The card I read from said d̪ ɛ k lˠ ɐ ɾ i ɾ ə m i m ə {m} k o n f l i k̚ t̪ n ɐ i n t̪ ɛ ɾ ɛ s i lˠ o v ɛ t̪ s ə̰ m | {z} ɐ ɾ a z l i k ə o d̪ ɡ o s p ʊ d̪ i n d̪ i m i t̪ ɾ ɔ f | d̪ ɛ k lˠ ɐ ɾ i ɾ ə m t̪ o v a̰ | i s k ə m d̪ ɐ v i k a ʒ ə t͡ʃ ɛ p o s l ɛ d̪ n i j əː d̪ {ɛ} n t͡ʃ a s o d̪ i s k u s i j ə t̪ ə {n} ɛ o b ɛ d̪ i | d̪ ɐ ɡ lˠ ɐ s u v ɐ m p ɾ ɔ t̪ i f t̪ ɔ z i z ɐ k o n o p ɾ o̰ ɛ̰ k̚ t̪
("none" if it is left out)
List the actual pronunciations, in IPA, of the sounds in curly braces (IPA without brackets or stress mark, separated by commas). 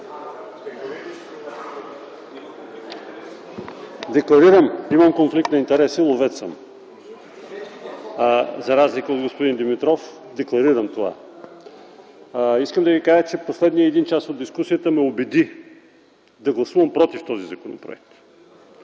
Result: m, z, i, m